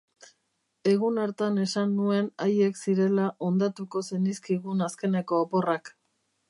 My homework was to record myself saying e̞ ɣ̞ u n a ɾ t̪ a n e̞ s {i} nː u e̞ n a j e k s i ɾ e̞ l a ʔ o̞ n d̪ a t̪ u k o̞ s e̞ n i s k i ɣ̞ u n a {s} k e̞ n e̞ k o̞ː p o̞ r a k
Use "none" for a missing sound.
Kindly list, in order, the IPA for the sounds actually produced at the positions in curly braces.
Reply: a, s

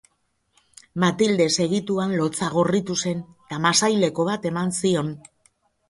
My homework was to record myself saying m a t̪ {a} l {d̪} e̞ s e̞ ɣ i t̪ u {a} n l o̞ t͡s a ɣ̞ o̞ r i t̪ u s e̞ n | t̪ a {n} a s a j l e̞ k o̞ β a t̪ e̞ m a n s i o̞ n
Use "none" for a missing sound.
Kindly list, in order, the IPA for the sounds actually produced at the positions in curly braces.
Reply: i, d̪, a, m

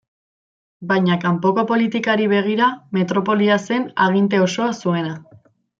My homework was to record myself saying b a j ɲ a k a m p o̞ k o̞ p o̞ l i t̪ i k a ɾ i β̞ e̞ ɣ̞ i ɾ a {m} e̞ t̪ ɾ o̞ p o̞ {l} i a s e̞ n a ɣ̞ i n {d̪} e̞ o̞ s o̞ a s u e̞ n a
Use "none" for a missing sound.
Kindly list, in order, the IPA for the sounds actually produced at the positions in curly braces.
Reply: m, l, t̪

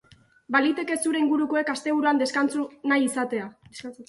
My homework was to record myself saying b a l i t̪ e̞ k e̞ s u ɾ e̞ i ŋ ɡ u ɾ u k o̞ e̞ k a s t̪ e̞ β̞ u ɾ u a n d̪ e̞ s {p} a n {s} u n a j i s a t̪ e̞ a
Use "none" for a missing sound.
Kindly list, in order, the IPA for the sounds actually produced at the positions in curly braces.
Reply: k, t͡s

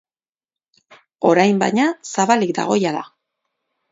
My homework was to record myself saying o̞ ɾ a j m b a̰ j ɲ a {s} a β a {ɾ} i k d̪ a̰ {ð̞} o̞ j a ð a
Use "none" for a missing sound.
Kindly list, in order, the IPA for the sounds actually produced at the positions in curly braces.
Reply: s, l, ɣ̞

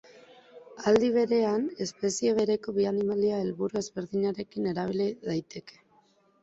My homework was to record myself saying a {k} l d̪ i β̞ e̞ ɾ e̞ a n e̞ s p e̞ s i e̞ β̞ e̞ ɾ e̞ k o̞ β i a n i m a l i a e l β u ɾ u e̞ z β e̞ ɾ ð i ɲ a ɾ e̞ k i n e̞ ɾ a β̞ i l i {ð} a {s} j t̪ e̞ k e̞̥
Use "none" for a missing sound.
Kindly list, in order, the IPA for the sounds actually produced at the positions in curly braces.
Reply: none, ð, none

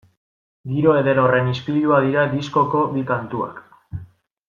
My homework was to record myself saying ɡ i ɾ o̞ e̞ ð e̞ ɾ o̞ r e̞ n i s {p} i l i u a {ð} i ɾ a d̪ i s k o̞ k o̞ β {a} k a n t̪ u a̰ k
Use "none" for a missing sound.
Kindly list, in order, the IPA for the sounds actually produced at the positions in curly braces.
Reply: p, ð, i

